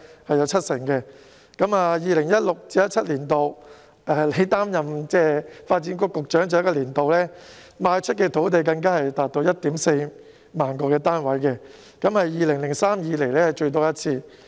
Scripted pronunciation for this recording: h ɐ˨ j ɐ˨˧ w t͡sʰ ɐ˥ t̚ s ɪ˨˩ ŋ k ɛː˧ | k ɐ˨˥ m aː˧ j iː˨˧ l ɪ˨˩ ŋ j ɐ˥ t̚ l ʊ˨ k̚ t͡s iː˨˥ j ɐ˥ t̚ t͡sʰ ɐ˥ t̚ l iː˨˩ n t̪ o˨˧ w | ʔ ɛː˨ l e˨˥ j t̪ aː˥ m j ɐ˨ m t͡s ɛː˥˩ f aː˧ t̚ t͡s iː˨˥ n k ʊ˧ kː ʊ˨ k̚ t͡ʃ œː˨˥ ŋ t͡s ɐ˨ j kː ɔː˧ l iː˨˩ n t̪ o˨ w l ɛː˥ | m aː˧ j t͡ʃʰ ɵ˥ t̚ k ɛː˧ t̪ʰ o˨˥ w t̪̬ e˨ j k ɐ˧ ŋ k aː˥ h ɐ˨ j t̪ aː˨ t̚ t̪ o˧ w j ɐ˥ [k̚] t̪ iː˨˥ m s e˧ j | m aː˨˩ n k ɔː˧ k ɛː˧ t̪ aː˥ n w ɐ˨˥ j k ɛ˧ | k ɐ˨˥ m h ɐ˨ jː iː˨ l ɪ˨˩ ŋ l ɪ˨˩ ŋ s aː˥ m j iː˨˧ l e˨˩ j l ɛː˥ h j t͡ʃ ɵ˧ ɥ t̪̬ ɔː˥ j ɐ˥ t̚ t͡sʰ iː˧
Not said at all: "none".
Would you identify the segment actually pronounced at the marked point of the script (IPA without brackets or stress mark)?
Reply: t̚